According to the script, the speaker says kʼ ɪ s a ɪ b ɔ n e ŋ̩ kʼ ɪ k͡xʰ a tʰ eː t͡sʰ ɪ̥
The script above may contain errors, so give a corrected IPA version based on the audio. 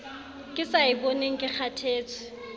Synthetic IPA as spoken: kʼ ɪ s a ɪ b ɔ n e ŋ̩ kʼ ɪ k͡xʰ a tʰ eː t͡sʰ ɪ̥